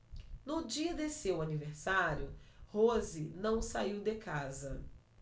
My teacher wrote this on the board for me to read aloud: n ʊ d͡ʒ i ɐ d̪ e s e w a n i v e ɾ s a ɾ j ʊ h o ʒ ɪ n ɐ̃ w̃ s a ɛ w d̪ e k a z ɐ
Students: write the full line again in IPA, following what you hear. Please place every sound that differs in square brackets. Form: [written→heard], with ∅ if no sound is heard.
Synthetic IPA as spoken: n ʊ d͡ʒ i ɐ d̪ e s e w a n i v e ɾ s a ɾ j ʊ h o [ʒ→z] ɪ n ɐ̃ w̃ s a [ɛ→i] w d̪ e k a z ɐ